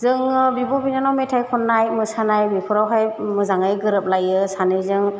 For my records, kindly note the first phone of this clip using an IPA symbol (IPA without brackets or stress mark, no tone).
z